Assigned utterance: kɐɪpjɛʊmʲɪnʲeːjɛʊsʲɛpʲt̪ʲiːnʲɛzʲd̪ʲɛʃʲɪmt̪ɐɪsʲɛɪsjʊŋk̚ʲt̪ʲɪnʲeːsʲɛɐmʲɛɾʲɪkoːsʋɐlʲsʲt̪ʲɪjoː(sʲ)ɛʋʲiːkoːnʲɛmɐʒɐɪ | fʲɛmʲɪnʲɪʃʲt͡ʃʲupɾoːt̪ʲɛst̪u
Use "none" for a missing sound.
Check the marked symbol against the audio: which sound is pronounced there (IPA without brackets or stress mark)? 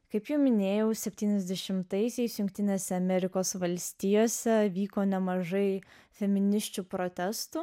sʲ